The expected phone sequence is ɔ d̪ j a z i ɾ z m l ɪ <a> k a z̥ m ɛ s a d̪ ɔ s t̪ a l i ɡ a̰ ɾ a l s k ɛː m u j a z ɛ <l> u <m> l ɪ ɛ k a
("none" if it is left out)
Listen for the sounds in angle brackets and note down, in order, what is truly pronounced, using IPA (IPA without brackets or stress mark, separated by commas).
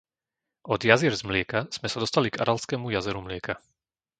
ɛ, ɾ, m